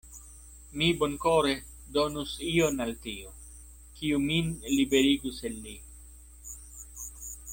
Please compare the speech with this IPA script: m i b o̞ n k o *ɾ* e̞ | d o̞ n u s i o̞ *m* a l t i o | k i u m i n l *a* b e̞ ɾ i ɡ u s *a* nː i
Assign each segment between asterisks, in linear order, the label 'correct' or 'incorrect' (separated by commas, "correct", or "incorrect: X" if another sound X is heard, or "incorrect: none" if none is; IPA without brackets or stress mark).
correct, incorrect: n, incorrect: i, incorrect: e